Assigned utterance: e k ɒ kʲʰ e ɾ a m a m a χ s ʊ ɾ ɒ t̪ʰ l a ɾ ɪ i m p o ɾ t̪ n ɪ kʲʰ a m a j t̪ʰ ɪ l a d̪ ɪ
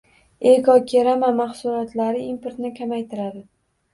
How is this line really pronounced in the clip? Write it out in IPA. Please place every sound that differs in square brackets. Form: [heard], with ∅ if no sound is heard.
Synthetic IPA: e k ɒ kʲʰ e ɾ a m a m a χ s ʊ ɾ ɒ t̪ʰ l a ɾ ɪ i m p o ɾ t̪ n ɪ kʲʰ a m a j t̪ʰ ɪ [ɾ] a d̪ ɪ